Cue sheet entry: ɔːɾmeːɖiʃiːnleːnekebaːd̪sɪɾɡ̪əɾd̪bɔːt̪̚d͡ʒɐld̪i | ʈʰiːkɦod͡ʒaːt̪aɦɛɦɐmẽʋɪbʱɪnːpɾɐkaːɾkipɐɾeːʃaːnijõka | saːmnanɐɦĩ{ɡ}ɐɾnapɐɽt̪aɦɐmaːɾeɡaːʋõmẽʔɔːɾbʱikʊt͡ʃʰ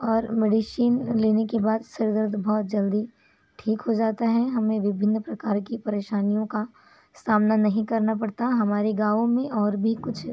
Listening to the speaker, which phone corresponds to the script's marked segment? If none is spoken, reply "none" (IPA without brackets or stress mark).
k